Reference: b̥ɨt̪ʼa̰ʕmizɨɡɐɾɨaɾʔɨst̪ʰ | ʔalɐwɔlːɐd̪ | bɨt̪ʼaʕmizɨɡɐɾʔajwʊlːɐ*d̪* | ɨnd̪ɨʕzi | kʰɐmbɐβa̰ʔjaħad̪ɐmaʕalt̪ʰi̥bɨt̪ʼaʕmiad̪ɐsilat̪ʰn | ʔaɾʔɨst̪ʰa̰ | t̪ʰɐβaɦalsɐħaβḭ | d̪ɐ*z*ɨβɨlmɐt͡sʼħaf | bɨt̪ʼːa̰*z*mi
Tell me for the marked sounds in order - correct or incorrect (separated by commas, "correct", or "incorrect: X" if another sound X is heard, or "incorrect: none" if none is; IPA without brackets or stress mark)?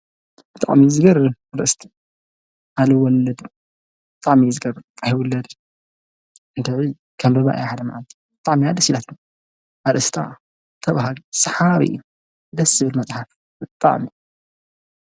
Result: correct, incorrect: s, incorrect: ʕ